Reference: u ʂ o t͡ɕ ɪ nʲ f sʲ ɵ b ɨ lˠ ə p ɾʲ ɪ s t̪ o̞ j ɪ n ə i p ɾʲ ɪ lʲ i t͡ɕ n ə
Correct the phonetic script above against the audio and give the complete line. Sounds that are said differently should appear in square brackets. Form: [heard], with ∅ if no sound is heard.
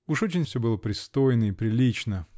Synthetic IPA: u ʂ o t͡ɕ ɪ nʲ f sʲ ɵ b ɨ lˠ ə p ɾʲ ɪ s t̪ o̞ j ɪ n ə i p ɾʲ ɪ lʲ i t͡ɕ n ə